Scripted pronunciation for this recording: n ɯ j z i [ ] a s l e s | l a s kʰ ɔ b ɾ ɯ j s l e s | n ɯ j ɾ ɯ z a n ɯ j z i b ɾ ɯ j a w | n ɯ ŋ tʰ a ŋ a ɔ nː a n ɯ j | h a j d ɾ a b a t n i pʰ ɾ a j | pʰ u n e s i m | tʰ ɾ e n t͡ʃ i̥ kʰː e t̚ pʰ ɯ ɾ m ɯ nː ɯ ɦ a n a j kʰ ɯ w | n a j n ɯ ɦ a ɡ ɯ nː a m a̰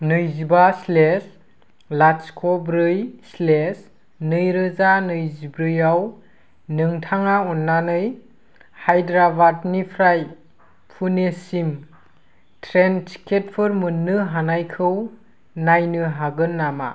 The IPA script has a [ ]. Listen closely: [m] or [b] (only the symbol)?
b